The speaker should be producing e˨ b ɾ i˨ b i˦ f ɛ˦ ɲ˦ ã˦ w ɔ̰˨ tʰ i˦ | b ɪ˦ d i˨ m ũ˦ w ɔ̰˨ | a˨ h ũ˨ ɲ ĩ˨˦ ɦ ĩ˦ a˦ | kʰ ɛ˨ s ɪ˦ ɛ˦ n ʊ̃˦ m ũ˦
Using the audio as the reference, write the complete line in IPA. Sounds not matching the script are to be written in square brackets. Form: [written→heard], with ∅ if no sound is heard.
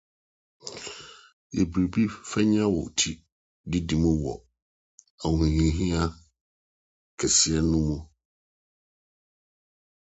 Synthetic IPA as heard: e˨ b ɾ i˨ b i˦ f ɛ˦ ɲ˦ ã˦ w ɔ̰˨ tʰ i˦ | [b→d] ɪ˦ d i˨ m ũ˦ w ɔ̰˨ | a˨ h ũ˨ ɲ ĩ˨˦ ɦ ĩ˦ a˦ | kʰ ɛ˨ s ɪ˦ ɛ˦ n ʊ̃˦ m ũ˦